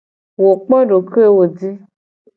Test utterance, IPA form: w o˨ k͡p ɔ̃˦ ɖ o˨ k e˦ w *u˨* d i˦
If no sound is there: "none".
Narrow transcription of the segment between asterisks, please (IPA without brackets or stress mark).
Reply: o˨